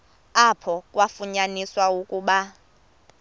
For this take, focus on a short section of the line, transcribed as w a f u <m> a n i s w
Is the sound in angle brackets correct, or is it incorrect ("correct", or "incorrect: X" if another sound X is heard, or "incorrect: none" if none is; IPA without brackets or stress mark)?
incorrect: ɲ